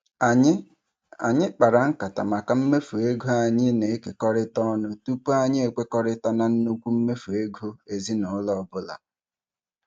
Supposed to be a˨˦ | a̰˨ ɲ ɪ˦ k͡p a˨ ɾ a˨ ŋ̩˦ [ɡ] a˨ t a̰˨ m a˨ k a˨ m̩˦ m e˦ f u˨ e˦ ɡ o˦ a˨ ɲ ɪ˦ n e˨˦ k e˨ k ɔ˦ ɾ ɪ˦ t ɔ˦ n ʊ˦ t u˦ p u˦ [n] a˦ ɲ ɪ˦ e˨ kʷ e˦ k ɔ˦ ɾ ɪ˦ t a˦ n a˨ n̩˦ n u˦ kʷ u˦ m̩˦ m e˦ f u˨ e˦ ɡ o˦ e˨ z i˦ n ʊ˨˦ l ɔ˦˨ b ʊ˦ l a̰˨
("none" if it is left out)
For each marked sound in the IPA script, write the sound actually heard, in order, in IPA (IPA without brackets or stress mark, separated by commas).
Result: k, none